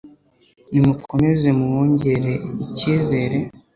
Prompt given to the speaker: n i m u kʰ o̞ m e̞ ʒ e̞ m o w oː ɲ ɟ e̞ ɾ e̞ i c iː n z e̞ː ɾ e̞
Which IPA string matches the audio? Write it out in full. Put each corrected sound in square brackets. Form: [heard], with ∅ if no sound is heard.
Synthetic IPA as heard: n i m u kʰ o̞ m e̞ [z] e̞ m [u] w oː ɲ ɟ e̞ ɾ e̞ i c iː [∅] z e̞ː ɾ e̞